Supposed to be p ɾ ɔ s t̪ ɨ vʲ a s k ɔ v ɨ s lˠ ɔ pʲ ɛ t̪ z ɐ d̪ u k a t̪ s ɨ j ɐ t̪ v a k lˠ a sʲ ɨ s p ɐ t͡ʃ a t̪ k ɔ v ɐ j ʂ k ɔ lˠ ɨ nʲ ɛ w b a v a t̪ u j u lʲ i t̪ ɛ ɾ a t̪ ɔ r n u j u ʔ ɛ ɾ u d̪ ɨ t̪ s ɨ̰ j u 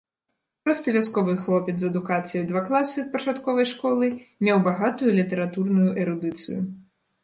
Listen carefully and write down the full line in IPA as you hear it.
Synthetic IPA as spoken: p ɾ ɔ s t̪ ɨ vʲ a s k ɔ v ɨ x lˠ ɔ pʲ ɛ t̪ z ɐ d̪ u k a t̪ s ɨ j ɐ d̪ v a k lˠ a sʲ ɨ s p ɐ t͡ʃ a t̪ k ɔ v ɐ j ʂ k ɔ lˠ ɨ mʲ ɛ w b a ɣ a t̪ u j u lʲ i t̪ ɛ ɾ a t̪ u r n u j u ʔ ɛ ɾ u d̪ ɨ t̪ s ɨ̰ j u